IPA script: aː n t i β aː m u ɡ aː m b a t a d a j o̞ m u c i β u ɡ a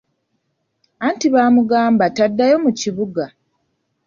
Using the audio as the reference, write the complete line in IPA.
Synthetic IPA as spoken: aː n t i β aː m u ɡ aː m b a t a dː a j o̞ m u c i β u ɡ a